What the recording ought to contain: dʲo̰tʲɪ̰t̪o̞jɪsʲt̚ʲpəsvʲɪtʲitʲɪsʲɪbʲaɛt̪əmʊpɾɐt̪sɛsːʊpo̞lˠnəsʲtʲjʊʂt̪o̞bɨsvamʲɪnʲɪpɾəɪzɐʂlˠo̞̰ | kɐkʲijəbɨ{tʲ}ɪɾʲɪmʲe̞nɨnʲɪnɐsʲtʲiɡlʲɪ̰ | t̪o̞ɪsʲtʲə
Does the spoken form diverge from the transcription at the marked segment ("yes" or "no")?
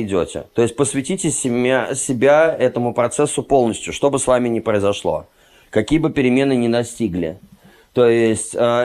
yes